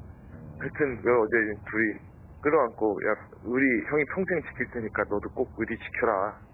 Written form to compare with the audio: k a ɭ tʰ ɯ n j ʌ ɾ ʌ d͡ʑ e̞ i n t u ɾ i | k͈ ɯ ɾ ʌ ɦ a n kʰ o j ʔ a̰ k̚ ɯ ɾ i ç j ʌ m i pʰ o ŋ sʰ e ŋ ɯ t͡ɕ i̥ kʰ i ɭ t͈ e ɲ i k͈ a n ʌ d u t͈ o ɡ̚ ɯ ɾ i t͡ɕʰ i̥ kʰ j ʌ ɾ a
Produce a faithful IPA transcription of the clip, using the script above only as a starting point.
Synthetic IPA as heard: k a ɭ tʰ ɯ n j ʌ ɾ ʌ d͡ʑ e̞ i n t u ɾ i | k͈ ɯ ɾ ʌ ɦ a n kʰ o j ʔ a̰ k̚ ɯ ɾ i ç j ʌ ŋ i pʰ o ŋ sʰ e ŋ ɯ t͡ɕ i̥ kʰ i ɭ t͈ e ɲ i k͈ a n ʌ d u k͈ o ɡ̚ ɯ ɾ i t͡ɕ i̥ kʰ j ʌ ɾ a

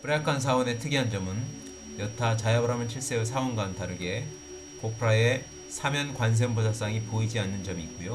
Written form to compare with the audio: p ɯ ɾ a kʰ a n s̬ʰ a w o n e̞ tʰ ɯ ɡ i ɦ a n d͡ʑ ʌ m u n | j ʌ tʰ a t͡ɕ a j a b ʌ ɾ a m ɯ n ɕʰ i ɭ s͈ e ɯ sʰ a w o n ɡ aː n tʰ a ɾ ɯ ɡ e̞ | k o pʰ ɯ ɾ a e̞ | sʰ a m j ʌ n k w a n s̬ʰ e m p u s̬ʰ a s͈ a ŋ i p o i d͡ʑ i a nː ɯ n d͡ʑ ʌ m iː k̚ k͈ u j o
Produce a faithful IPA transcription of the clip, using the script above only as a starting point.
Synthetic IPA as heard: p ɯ ɾ a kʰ a n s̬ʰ a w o n e̞ tʰ ɯ ɡ i ɦ a n d͡ʑ ʌ m ɯ n | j ʌ tʰ a t͡ɕ a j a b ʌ ɾ a m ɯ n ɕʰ i ɭ s͈ e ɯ sʰ a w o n ɡ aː n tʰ a ɾ ɯ ɡ e̞ | k o pʰ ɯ ɾ a e̞ | sʰ a m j ʌ n k w a n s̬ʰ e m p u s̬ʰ a s͈ a ŋ i p o i d͡ʑ i a nː ɯ n d͡ʑ ʌ m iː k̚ k͈ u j o

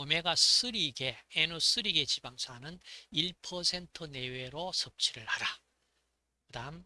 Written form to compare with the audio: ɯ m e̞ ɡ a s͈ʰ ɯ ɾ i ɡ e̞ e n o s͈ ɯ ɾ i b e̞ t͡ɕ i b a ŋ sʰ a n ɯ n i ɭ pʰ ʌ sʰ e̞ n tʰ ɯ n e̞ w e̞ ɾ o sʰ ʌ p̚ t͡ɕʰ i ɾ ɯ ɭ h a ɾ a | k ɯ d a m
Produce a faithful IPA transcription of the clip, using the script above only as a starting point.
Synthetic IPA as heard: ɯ m e̞ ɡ a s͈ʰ ɯ ɾ i ɡ e̞ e n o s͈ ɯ ɾ i ɡ e̞ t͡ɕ i b a ŋ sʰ a n ɯ n i ɭ pʰ ʌ sʰ e̞ n tʰ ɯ n e̞ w e̞ ɾ o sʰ ʌ p̚ t͡ɕʰ i ɾ ɯ ɭ h a ɾ a | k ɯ d a m

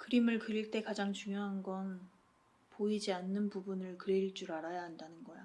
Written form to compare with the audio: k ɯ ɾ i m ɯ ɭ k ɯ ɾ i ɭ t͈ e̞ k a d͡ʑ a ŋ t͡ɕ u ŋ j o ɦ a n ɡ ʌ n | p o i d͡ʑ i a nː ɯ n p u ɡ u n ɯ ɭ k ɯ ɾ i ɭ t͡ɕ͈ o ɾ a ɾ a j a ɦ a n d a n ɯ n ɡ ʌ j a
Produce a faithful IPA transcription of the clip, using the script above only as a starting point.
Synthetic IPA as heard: k ɯ ɾ i m ɯ ɭ k ɯ ɾ i ɭ t͈ e̞ k a d͡ʑ a ŋ t͡ɕ u ŋ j o ɦ a n ɡ ʌ n | p o i d͡ʑ i a nː ɯ n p u b u n ɯ ɭ k ɯ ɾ i ɭ t͡ɕ͈ u ɾ a ɾ a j a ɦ a n d a n ɯ n ɡ ʌ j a

